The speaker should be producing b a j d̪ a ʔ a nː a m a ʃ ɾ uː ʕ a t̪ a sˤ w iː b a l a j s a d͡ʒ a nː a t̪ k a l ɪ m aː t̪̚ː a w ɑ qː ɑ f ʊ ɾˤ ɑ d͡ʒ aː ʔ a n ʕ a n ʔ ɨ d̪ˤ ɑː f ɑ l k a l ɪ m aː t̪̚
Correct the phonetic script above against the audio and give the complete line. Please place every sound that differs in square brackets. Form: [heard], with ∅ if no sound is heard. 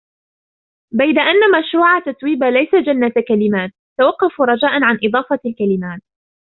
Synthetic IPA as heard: b a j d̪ a ʔ a nː a m a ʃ ɾ uː ʕ a t̪ a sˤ w iː b a l a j s a d͡ʒ a nː a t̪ k a l ɪ m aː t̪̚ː a w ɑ qː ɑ f [u] ɾˤ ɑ d͡ʒ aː ʔ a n ʕ a n ʔ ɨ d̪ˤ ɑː f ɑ l k a l ɪ m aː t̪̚